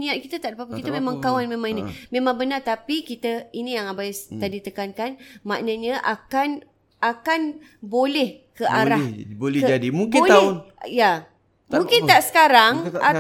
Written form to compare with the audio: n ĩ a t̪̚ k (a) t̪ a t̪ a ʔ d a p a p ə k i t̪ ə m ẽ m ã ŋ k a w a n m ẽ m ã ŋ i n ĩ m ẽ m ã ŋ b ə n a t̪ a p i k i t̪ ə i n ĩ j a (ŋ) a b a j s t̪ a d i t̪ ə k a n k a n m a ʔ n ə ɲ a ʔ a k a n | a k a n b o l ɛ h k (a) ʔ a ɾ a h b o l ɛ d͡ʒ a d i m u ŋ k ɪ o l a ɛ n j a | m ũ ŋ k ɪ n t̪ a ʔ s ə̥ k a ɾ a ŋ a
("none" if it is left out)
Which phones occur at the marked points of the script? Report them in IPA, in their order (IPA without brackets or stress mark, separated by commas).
i, ŋ, ə